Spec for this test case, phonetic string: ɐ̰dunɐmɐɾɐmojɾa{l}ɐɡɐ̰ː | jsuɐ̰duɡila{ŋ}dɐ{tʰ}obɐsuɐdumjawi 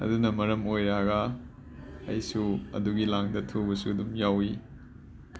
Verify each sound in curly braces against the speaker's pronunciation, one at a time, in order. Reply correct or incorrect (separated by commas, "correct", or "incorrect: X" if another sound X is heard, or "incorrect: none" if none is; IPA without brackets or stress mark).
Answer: incorrect: none, correct, correct